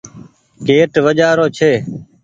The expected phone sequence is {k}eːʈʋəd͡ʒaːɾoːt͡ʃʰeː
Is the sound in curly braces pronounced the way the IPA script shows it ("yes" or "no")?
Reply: yes